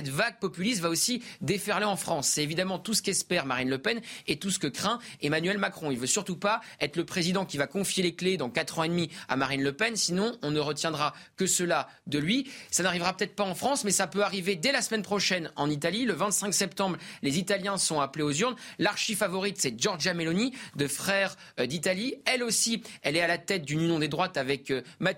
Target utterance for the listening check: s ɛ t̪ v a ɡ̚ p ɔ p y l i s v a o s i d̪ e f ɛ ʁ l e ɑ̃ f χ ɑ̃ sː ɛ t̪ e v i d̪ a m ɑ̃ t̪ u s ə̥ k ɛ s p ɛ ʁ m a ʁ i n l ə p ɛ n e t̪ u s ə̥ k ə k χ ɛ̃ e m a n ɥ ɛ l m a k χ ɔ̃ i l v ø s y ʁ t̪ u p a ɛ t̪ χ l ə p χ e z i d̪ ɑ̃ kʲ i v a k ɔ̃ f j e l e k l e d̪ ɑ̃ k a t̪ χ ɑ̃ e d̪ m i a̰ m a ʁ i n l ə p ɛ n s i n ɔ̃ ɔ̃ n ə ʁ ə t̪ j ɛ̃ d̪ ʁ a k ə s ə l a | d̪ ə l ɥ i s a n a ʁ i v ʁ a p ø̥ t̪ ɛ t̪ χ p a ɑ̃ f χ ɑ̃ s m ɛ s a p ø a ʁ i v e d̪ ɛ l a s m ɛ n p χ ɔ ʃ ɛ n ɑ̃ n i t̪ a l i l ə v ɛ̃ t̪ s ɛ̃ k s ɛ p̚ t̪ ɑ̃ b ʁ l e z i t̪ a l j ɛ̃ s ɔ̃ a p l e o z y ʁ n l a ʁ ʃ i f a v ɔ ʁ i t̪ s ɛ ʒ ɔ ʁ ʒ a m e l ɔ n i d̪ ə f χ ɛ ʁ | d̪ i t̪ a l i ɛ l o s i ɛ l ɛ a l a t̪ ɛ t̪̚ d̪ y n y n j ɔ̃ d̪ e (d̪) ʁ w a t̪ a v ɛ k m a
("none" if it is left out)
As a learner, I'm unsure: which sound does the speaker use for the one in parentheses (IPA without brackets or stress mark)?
d̪